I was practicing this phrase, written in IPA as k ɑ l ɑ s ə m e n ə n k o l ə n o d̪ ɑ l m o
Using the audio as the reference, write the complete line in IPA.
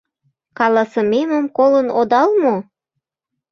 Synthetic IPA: k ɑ l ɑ s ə m e m ə m k o l ə n o d̪ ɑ l m o